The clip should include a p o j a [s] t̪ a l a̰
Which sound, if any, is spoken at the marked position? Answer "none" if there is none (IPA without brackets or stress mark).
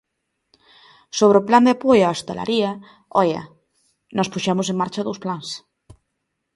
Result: s